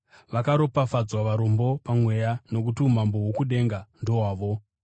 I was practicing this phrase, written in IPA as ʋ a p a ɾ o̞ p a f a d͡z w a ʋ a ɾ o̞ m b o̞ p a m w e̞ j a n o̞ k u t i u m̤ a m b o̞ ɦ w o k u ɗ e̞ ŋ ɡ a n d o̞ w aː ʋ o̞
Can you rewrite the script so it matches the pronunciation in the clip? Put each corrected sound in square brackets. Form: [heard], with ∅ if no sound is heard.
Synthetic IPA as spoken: ʋ a [k] a ɾ o̞ p a f a d͡z w a ʋ a ɾ o̞ m b o̞ p a m w e̞ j a n o̞ k u t i u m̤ a m b o̞ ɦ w o k u ɗ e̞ ŋ ɡ a n d o̞ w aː ʋ o̞